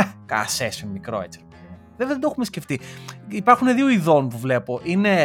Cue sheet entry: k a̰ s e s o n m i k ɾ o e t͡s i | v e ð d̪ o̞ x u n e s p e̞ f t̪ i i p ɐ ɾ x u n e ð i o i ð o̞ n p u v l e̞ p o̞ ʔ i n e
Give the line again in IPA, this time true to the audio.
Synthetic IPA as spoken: k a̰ s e s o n m i k ɾ o e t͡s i | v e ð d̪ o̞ x u m e s c e̞ f t̪ i i p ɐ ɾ x u n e ð i o i ð o̞ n p u v l e̞ p o̞ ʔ i n e